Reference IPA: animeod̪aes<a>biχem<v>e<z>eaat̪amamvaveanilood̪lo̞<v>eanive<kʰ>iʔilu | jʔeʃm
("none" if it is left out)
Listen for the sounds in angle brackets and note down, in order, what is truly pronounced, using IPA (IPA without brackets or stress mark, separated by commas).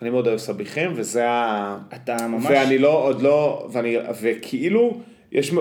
a, v, z, v, kʰ